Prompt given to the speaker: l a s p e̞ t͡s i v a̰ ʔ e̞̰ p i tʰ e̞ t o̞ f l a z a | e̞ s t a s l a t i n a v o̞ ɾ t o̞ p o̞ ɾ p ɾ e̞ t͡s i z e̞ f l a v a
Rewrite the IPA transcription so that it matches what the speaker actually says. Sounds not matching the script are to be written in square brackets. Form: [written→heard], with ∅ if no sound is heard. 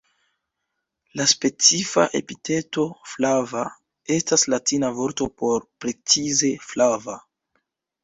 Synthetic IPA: l a s p e̞ t͡s i [v→f] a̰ ʔ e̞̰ p i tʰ e̞ t o̞ f l a [z→v] a | e̞ s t a s l a t i n a v o̞ ɾ t o̞ p o̞ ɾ p ɾ e̞ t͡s i z e̞ f l a v a